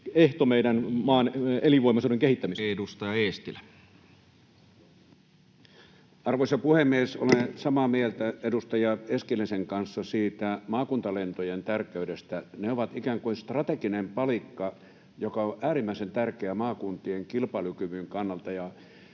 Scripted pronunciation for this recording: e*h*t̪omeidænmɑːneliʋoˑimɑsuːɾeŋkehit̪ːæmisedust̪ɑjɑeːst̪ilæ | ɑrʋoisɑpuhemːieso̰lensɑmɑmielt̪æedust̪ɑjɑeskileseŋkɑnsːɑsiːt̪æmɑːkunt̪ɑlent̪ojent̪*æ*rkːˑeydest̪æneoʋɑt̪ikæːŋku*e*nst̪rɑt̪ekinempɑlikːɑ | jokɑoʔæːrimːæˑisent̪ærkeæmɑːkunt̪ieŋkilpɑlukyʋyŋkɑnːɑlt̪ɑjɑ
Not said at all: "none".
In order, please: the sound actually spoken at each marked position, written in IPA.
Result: h, æ, i

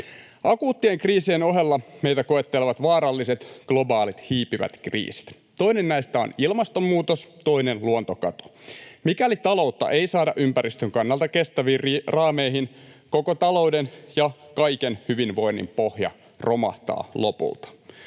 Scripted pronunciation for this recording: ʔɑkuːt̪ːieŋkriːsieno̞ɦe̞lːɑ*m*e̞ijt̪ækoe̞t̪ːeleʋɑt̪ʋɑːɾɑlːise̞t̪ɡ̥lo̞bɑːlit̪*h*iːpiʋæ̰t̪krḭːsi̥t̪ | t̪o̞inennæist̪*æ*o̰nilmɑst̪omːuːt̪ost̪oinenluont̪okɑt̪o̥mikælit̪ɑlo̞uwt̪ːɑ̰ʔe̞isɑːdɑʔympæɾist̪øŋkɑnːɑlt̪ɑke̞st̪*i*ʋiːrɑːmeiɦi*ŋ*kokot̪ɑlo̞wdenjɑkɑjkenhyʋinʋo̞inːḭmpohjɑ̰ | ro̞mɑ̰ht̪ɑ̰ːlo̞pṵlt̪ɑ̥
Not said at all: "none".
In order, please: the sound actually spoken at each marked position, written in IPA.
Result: m, h, æ, æ, n

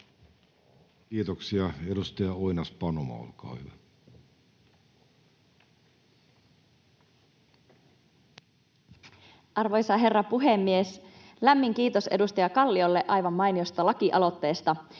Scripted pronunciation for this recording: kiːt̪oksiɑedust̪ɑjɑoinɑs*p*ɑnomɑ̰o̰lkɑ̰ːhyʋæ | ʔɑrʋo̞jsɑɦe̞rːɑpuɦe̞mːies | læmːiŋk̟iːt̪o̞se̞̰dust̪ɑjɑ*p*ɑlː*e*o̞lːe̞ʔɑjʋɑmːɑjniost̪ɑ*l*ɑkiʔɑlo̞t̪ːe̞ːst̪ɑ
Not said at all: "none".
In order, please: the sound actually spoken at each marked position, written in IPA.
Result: p, k, i, l

